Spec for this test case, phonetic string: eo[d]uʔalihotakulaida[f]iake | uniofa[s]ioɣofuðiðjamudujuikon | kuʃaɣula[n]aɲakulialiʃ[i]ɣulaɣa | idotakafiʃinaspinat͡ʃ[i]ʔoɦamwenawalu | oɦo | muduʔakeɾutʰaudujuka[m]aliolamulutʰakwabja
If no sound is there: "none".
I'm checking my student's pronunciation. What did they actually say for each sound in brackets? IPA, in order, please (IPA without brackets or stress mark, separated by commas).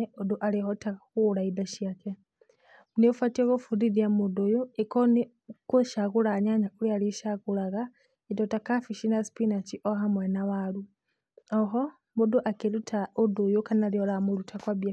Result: d, ʃ, t, ɲ, a, i, n